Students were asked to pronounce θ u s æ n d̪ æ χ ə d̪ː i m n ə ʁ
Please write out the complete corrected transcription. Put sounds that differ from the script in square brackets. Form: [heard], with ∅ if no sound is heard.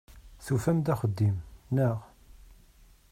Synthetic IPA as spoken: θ u [f] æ [m] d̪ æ χ ə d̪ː i m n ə ʁ